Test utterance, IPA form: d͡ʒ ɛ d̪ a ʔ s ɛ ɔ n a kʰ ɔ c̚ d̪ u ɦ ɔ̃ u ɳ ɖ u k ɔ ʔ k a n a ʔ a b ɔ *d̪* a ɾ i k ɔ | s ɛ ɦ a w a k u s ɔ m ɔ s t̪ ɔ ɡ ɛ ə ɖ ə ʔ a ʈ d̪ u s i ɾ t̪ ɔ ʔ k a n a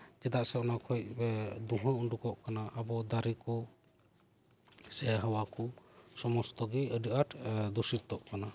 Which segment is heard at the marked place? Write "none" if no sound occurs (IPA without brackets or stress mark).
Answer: d̪